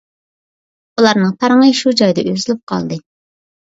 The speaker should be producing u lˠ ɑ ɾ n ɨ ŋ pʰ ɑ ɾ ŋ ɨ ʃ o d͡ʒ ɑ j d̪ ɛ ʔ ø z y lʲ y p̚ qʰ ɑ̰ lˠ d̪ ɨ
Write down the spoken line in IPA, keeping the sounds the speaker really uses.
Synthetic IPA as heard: u lˠ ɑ ɾ n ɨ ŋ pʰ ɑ ɾ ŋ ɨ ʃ u d͡ʒ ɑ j d̪ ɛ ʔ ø z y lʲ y p̚ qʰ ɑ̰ lˠ d̪ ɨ